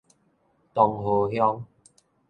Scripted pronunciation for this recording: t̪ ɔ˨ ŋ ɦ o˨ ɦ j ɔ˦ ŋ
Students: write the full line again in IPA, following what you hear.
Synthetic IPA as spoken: t̪ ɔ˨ ŋ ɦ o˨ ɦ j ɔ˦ ŋ